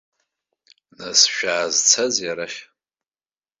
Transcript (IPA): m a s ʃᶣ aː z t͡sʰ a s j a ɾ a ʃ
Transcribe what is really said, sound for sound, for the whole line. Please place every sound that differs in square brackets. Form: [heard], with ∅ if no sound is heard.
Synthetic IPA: [n] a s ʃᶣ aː z t͡sʰ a [z] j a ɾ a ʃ